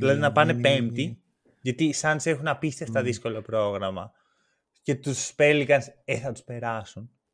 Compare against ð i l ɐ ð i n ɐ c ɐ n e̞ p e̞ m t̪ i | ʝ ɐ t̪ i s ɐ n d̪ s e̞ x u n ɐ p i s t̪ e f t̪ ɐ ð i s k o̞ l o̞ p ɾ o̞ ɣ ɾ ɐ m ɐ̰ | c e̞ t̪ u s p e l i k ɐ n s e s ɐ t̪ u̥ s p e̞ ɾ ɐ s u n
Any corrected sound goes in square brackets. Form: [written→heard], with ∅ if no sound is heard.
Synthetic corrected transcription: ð i l ɐ ð i n ɐ [c→p] ɐ n e̞ p e̞ m t̪ i | ʝ ɐ t̪ i s ɐ n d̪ s e̞ x u n ɐ p i s t̪ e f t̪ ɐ ð i s k o̞ l o̞ p ɾ o̞ ɣ ɾ ɐ m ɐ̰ | c e̞ t̪ u s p e l i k ɐ n s e [s→θ] ɐ t̪ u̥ s p e̞ ɾ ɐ s u n